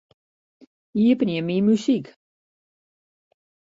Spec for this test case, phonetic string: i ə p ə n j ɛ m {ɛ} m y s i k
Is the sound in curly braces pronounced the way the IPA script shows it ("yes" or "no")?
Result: no